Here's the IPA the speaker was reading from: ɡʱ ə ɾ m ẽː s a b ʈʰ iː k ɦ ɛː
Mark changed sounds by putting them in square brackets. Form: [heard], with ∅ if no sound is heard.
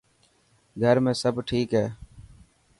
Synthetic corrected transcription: ɡʱ ə ɾ m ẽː s [ə] b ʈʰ iː k ɦ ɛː